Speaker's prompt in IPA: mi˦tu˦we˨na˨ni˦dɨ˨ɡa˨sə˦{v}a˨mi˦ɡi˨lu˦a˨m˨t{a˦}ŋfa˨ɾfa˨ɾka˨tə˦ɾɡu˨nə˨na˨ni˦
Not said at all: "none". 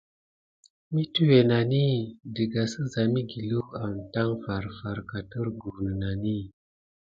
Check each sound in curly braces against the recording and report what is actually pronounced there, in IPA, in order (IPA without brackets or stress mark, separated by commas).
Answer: z, a˦